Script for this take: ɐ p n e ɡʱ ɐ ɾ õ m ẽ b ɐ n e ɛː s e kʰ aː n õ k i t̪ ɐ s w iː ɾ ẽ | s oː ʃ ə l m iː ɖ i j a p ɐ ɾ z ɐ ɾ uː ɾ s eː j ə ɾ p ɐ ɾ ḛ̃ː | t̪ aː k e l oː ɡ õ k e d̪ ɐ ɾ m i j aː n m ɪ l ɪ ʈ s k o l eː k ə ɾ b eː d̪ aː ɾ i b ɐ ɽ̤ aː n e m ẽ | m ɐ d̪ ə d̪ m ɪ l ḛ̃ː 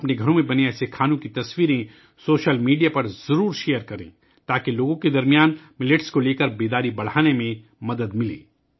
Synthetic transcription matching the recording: ɐ p n e ɡʱ ɐ ɾ õ m ẽ b ɐ n e ɛː s e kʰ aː n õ k i t̪ ɐ s w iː ɾ ẽ | s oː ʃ ə l m iː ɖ i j a p ɐ ɾ z ɐ ɾ uː ɾ ʃ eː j ə ɾ k ɐ ɾ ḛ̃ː | t̪ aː k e l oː ɡ õ k e d̪ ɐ ɾ m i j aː n m ɪ l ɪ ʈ s k o l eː k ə ɾ b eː d̪ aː ɾ i b ɐ ɽ̤ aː n e m ẽ | m ɐ d̪ ə d̪ m ɪ l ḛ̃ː